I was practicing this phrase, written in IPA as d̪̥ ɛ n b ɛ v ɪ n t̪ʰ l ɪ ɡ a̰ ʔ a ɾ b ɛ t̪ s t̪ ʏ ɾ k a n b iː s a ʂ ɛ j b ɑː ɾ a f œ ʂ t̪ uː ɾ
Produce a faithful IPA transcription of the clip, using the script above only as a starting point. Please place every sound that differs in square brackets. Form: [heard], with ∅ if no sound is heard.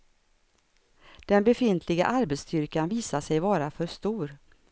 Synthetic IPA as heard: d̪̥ ɛ n b ɛ [f] ɪ n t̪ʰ l ɪ ɡ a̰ ʔ a ɾ b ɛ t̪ s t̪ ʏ ɾ k a n [v] iː s a ʂ ɛ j [v] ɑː ɾ a f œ ʂ t̪ uː ɾ